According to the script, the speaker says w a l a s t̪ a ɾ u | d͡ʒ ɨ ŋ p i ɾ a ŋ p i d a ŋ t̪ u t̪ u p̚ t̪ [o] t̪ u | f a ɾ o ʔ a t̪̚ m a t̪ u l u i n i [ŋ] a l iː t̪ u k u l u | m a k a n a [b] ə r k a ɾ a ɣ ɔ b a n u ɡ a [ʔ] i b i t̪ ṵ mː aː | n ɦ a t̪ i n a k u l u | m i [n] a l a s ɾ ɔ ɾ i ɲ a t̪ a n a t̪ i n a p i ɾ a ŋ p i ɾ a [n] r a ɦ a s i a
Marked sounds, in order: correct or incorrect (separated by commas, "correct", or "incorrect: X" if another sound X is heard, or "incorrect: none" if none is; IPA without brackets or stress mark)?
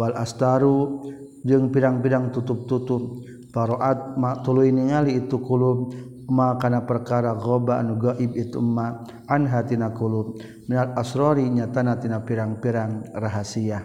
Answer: incorrect: u, correct, incorrect: p, correct, correct, incorrect: ŋ